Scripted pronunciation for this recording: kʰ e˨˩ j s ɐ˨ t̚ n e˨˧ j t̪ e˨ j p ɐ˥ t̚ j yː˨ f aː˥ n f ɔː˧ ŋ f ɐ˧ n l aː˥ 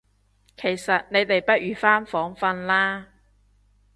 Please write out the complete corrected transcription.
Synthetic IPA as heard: kʰ e˨˩ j s ɐ˨ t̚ n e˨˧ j t̪ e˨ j p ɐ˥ t̚ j yː˨ f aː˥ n f ɔː˨˥ ŋ f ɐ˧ n l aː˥